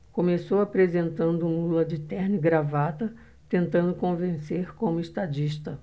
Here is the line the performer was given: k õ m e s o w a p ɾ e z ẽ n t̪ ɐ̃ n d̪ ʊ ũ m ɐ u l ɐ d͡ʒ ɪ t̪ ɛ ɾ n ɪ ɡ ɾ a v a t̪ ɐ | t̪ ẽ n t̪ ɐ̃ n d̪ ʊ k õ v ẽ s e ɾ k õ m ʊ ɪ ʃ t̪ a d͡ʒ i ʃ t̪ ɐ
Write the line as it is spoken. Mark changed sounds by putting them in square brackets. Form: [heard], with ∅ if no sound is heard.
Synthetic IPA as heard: k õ m e s o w a p ɾ e z ẽ n t̪ ɐ̃ n d̪ ʊ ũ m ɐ u l ɐ d͡ʒ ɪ t̪ ɛ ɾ n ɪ ɡ ɾ a v a t̪ ɐ | t̪ ẽ n t̪ ɐ̃ n d̪ ʊ k õ v ẽ s e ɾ k õ m ʊ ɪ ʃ t̪ a d͡ʒ i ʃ t̪ ɐ